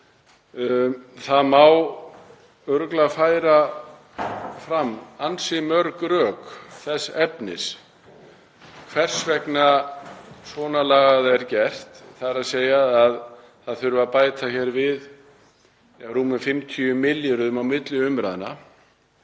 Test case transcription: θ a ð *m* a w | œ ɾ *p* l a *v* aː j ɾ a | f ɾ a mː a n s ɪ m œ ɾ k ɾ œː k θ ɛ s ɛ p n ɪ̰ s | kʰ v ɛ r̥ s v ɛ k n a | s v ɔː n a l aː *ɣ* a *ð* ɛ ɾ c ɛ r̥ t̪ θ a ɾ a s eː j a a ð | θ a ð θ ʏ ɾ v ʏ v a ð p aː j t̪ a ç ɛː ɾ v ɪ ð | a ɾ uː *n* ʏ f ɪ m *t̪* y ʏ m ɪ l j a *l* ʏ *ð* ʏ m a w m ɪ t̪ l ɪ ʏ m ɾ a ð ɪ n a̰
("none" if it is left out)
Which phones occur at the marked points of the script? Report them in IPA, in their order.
m, k, f, ɣ, ð, m, t̪ʰ, ɾ, ð

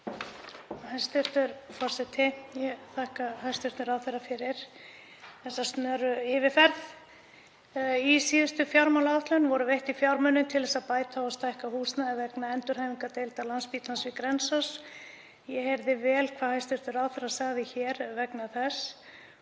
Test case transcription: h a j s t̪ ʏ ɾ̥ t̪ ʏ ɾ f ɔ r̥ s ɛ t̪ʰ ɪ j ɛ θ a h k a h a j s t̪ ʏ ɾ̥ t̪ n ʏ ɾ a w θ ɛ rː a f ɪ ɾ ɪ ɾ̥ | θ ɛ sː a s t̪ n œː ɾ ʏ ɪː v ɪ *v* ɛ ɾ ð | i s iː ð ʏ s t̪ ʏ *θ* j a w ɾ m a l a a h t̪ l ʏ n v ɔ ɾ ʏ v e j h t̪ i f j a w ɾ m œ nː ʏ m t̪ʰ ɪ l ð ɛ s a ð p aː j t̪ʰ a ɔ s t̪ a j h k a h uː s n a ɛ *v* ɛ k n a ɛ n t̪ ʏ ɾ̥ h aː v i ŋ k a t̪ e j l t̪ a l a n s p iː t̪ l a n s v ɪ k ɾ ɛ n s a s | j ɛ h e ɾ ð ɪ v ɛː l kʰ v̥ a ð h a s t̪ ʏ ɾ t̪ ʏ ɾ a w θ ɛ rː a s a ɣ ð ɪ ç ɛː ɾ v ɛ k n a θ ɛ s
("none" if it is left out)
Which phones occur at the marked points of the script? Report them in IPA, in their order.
f, f, v

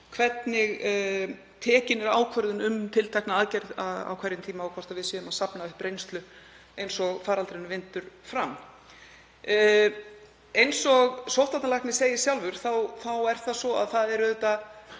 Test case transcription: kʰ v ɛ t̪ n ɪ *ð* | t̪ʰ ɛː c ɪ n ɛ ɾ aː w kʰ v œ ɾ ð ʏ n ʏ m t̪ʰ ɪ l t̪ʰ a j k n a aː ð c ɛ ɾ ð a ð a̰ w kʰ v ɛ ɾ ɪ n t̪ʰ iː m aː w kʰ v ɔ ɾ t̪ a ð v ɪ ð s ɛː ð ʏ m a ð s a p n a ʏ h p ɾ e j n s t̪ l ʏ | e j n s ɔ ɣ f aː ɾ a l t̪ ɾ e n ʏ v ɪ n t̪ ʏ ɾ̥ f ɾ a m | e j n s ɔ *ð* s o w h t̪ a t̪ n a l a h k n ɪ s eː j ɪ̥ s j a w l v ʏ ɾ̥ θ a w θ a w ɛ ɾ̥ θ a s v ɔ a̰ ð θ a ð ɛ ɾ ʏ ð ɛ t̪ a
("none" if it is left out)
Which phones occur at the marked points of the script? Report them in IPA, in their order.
ɣ, ɣ

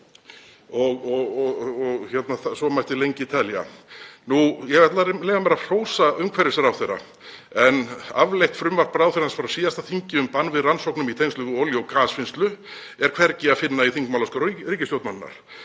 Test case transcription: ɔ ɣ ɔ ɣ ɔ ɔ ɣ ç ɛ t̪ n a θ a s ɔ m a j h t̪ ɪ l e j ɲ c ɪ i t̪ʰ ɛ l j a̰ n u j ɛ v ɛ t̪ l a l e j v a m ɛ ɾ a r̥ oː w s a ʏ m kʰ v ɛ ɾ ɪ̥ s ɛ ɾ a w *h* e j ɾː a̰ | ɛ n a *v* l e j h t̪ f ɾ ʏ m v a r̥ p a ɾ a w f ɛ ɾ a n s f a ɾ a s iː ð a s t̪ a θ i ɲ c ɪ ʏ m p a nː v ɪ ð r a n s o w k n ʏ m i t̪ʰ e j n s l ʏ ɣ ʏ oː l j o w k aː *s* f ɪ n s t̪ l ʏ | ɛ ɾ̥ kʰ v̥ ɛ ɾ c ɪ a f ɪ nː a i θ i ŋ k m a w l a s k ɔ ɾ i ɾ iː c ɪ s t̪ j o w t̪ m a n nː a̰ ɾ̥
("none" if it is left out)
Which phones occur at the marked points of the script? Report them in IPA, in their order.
θ, v, s

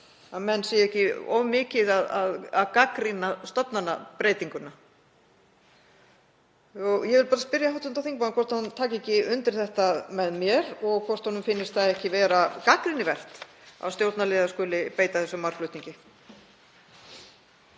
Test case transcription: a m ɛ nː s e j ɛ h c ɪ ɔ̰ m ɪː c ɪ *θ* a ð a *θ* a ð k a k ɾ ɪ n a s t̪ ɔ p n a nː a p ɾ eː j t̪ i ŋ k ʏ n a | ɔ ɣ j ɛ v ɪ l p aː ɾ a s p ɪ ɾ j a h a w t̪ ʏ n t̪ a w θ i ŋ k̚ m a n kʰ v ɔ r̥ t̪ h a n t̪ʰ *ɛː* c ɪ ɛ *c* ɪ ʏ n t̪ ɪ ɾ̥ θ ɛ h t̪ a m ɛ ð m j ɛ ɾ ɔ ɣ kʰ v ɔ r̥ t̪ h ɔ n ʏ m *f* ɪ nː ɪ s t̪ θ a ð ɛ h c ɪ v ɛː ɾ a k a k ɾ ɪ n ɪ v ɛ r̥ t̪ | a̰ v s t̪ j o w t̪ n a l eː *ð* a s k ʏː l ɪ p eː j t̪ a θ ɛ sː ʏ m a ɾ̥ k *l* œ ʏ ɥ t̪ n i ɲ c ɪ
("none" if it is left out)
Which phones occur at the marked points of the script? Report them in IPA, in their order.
ð, ð, aː, c, f, ð, l

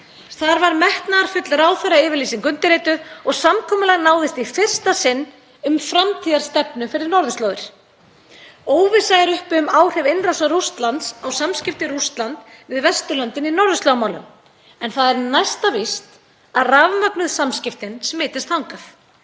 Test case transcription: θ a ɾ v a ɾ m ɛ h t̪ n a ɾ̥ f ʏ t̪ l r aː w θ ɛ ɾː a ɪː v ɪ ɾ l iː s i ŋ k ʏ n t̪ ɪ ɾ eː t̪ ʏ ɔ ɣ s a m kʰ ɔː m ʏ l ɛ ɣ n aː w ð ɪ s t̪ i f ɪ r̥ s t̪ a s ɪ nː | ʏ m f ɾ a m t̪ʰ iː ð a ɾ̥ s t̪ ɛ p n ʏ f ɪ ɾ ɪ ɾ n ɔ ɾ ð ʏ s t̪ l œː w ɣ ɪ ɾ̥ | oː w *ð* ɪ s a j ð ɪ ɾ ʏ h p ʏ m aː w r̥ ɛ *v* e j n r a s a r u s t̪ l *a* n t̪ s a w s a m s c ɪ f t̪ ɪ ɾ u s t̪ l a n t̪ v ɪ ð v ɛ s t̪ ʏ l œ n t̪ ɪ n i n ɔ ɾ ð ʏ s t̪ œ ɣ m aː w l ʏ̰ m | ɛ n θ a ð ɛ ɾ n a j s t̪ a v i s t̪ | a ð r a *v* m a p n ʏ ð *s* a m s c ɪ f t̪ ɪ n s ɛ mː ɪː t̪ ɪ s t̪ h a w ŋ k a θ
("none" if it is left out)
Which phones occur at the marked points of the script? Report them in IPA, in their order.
v, v, a, v, s

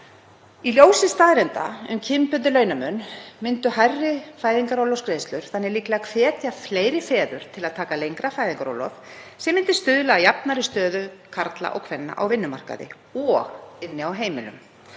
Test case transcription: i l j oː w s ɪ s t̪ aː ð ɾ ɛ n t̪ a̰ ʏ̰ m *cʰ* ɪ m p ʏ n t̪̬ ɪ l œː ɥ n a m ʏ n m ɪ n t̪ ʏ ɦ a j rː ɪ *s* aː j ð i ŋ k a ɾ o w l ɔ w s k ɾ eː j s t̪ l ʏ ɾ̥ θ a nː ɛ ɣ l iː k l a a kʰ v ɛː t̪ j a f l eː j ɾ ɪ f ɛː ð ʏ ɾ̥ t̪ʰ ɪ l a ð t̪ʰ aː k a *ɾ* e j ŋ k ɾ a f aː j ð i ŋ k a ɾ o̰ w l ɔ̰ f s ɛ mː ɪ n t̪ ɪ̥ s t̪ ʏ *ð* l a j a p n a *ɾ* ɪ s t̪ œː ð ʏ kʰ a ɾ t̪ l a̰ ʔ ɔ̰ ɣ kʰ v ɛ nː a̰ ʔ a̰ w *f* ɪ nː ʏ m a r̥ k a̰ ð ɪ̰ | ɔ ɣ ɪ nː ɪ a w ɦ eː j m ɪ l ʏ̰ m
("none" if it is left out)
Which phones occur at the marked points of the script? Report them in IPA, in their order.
cʰ, f, l, ð, ɾ, v

